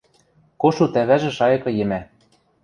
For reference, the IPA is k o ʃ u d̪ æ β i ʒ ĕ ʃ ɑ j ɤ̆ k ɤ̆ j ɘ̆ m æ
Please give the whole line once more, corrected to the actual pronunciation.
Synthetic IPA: k o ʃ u t̪ æ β æ ʒ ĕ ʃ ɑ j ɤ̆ k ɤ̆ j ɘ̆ m æ